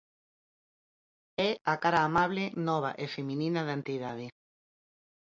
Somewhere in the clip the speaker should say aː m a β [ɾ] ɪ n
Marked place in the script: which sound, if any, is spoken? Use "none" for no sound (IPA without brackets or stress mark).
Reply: l